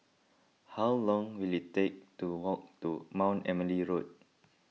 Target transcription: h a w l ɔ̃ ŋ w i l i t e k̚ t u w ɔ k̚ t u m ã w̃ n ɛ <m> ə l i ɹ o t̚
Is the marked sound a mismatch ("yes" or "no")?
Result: no